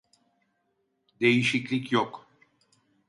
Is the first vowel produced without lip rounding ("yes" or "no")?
yes